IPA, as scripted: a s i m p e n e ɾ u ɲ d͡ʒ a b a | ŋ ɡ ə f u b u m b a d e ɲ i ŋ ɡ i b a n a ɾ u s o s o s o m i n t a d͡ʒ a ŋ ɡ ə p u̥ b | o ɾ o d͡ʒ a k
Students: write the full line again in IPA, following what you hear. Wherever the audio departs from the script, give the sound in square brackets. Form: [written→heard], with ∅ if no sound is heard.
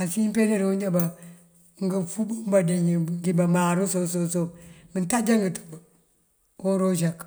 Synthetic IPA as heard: a s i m p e n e ɾ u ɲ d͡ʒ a b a | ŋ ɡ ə f u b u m b a d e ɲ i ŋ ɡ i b a [n→m] a ɾ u s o s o s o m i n t a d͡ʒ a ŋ ɡ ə [p→t] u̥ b | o ɾ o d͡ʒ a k